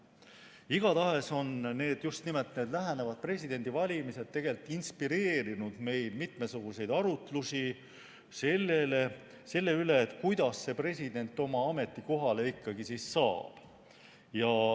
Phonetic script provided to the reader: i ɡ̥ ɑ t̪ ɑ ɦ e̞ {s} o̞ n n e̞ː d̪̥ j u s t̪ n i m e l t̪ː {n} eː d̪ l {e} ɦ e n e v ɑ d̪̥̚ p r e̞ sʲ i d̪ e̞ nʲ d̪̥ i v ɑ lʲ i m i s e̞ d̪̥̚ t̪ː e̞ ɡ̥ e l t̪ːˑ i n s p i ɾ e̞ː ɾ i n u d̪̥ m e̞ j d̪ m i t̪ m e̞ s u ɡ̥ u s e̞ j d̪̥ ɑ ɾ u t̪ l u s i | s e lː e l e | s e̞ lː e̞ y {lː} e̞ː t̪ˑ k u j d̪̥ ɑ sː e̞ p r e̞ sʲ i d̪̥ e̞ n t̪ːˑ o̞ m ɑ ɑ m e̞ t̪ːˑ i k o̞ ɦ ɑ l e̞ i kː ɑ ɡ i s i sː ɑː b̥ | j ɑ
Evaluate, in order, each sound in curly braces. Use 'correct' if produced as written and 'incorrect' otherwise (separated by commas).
correct, correct, incorrect, incorrect